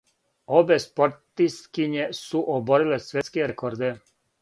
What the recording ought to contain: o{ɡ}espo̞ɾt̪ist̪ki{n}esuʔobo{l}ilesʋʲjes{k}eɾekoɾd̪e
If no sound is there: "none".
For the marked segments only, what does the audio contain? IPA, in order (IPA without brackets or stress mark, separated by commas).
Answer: b, ɲ, ɾ, k